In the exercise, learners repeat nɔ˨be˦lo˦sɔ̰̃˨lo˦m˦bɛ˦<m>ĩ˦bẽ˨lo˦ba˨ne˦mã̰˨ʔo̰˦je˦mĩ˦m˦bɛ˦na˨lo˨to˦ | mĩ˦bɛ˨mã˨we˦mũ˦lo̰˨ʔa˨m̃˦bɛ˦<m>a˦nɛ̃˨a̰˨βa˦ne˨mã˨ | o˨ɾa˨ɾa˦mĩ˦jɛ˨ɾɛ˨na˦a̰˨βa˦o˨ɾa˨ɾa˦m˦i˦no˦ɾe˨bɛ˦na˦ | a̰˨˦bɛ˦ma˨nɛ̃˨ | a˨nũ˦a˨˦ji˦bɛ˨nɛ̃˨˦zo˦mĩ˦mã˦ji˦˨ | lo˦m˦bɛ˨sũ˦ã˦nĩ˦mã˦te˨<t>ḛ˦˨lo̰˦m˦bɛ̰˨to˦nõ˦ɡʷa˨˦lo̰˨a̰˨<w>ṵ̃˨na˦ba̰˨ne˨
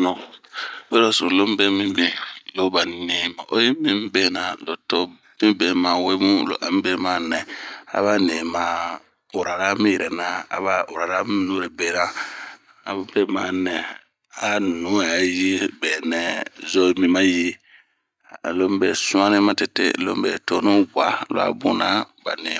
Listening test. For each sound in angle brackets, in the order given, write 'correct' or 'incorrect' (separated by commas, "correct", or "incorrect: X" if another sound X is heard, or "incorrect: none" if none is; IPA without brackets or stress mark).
correct, correct, correct, incorrect: b